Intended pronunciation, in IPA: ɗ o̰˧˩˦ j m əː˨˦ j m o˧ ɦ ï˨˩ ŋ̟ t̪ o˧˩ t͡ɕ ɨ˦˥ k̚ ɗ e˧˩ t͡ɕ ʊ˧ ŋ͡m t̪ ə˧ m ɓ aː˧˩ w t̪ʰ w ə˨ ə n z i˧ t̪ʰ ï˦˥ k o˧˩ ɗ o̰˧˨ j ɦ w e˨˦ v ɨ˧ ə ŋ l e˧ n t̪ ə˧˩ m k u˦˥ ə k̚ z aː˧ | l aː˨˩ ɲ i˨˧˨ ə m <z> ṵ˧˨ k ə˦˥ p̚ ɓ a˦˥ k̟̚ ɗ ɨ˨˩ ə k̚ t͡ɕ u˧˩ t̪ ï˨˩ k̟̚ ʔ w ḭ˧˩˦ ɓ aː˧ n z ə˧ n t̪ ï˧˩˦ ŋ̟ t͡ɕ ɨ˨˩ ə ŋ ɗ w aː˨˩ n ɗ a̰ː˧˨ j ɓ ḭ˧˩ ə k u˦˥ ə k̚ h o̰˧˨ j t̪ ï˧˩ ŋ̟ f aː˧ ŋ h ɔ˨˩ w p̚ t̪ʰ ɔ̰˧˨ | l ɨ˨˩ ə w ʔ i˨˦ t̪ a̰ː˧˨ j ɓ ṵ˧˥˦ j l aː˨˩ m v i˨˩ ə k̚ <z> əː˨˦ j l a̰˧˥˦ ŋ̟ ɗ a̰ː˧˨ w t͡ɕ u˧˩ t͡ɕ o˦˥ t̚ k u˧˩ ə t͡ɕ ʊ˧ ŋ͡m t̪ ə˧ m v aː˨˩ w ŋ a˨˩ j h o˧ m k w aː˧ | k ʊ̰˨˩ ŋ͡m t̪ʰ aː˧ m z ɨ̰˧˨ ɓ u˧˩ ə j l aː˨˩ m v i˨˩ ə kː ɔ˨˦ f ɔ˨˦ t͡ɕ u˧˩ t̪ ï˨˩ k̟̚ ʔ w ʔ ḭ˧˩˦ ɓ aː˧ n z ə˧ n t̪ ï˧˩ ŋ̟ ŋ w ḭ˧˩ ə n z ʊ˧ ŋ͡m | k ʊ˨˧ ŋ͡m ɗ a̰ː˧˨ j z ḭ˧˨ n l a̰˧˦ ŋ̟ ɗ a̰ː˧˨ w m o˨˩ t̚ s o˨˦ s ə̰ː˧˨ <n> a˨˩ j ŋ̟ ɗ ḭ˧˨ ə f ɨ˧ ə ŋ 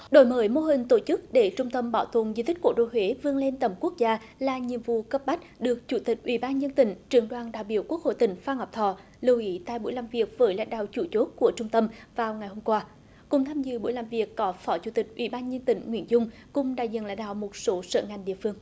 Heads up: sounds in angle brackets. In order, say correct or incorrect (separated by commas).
incorrect, incorrect, incorrect